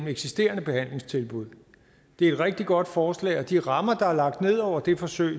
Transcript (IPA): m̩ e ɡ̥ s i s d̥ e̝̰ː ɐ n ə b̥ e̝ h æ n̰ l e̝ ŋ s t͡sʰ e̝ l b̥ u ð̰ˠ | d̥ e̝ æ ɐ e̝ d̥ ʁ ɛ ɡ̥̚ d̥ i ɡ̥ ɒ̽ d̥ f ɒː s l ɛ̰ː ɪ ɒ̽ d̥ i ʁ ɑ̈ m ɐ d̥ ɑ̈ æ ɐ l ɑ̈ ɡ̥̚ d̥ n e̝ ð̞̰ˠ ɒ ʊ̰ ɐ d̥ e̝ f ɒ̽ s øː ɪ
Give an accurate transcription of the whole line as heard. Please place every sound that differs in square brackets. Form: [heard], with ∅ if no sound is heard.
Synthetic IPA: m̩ e ɡ̥ s i s d̥ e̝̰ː ɐ n ə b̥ e̝ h æ n̰ l e̝ ŋ s t͡sʰ e̝ l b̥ u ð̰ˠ | d̥ e̝ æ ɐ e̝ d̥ ʁ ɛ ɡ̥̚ d̥ i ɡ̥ ɒ̽ d̥ f ɒː s l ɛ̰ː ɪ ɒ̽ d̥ i ʁ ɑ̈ m ɐ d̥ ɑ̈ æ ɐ l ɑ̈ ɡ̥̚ d̥ n e̝ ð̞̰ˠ ɒ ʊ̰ ɐ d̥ e̝ f ɒ̽ s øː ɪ